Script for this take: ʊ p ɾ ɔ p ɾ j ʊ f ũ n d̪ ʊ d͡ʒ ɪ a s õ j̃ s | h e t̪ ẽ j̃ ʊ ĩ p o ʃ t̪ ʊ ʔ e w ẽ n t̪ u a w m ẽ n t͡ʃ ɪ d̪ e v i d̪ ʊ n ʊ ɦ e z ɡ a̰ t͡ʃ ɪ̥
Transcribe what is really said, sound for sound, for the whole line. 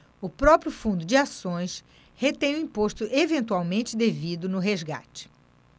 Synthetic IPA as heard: ʊ p ɾ ɔ p ɾ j ʊ f ũ n d̪ ʊ d͡ʒ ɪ a s õ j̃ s | h e t̪ ẽ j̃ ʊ ĩ p o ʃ t̪ ʊ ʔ e v ẽ n t̪ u a w m ẽ n t͡ʃ ɪ d̪ e v i d̪ ʊ n ʊ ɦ e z ɡ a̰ t͡ʃ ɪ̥

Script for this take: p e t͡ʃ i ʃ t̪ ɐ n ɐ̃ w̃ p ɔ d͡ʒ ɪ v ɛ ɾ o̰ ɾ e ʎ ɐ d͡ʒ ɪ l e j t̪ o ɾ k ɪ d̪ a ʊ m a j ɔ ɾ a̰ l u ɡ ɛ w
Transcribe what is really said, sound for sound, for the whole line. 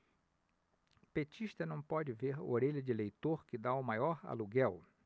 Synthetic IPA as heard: p e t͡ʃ i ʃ t̪ ɐ n ɐ̃ w̃ p ɔ d͡ʒ ɪ v e ɾ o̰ ɾ e ʎ ɐ d͡ʒ ɪ l e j t̪ o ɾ k ɪ d̪ a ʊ m a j ɔ ɾ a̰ l u ɡ ɛ w

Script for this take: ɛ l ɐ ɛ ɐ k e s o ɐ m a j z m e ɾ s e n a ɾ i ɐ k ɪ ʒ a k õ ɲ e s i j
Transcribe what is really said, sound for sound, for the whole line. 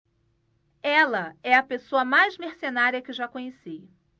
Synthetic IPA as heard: ɛ l ɐ ɛ ɐ p e s o ɐ m a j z m e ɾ s e n a ɾ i ɐ k ɪ ʒ a k õ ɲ e s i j

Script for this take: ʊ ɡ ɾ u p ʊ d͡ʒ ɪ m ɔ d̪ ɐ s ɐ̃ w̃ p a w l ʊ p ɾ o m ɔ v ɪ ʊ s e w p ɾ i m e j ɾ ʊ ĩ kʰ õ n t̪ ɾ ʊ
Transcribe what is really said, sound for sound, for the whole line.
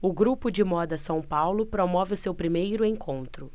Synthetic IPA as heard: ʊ ɡ ɾ u p ʊ d͡ʒ ɪ m ɔ d̪ ɐ s ɐ̃ w̃ p a w l ʊ p ɾ o m ɔ v ɪ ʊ s e w p ɾ i m e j ɾ ʊ ẽ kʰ õ n t̪ ɾ ʊ

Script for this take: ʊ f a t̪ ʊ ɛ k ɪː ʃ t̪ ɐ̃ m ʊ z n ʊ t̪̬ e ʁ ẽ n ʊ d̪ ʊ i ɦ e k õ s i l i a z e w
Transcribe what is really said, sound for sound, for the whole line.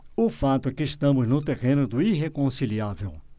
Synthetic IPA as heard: ʊ f a t̪ ʊ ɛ k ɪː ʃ t̪ ɐ̃ m ʊ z n ʊ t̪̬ e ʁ ẽ n ʊ d̪ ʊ i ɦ e k õ s i l i a v e w

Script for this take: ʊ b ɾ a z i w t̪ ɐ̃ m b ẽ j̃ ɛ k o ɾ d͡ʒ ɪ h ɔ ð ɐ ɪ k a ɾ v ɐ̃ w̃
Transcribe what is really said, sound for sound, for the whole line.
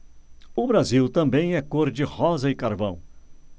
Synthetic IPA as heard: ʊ b ɾ a z i w t̪ ɐ̃ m b ẽ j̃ ɛ k o ɾ d͡ʒ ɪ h ɔ z ɐ ɪ k a ɾ v ɐ̃ w̃

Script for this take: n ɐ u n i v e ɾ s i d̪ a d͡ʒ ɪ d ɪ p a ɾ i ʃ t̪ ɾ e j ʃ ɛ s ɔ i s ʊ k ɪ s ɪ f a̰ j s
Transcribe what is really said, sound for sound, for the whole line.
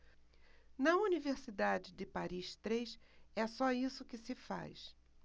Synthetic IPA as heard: n ɐ u n i v e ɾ s i d̪ a d͡ʒ ɪ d ɪ p a ɾ i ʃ t̪ ɾ e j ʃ ɛ s ɔ i s ʊ k ɪ s ɪ f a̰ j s

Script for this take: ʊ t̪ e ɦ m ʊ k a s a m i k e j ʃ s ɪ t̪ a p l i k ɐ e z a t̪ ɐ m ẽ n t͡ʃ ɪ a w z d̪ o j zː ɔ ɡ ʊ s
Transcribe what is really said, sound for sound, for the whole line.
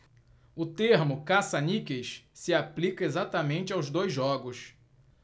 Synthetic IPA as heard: ʊ t̪ e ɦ m ʊ k a s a n i k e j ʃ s ɪ a p l i k ɐ e z a t̪ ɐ m ẽ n t͡ʃ ɪ a w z d̪ o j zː ɔ ɡ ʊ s

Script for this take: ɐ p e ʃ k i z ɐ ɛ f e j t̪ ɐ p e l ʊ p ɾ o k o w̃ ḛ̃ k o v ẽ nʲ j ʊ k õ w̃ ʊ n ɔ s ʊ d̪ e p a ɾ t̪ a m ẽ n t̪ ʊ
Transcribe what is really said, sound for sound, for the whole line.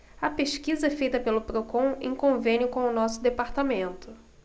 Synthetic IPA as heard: ɐ p e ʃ k i z ɐ ɛ f e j t̪ ɐ p e l ʊ p ɾ o k õ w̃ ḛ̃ k õ v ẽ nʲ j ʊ k õ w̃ ʊ n ɔ s ʊ d̪ e p a ɾ t̪ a m ẽ n t̪ ʊ

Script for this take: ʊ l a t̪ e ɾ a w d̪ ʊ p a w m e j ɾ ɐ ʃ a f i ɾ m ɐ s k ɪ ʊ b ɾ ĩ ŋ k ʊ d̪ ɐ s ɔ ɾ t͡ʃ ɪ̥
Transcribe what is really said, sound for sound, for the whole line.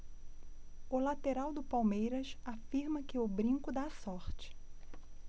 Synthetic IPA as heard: ʊ l a t̪ e ɾ a w d̪ ʊ p a w m e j ɾ ɐ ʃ a f i ɾ m ɐ k ɪ ʊ b ɾ ĩ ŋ k ʊ d̪ a s ɔ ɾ t͡ʃ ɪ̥

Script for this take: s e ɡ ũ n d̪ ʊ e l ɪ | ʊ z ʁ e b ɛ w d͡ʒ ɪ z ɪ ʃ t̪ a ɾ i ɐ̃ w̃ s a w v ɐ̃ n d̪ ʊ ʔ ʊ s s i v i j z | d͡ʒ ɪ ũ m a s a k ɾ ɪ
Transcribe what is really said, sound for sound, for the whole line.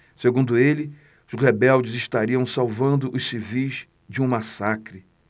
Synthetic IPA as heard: s e ɡ ũ n d̪ ʊ e l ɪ | ʊ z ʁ e b ɛ w d͡ʒ ɪ z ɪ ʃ t̪ a ɾ i ɐ̃ w̃ s a w v ɐ̃ n d̪ ʊ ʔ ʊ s s i v i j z | d͡ʒ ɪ ũ m a s a k ɾ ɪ

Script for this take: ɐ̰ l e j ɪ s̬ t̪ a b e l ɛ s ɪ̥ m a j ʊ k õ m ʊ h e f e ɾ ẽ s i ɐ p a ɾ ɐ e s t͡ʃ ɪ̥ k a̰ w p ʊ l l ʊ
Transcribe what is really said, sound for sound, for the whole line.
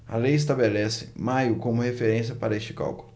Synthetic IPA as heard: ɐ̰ l e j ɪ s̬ t̪ a b e l ɛ s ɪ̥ m a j ʊ k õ m ʊ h e f e ɾ ẽ s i ɐ p a ɾ ɐ e s t͡ʃ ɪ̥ k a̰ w k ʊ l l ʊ

